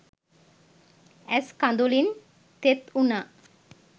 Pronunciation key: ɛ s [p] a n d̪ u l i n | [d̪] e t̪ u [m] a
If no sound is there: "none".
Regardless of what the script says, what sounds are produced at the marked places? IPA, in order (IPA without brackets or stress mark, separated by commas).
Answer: k, t̪, n